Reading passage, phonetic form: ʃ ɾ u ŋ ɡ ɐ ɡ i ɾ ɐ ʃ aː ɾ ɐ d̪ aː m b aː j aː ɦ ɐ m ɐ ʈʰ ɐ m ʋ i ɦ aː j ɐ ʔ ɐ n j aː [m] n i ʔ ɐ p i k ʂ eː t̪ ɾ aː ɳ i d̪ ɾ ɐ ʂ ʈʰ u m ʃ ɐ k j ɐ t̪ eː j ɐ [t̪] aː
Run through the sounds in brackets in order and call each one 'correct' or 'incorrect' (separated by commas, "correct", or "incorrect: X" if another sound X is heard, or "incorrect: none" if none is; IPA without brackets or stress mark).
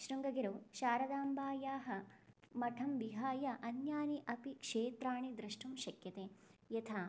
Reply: incorrect: none, incorrect: t̪ʰ